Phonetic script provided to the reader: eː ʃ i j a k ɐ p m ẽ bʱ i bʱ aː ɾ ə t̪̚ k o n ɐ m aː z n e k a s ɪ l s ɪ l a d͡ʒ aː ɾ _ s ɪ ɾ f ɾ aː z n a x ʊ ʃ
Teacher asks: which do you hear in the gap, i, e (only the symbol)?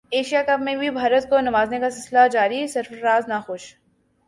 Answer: i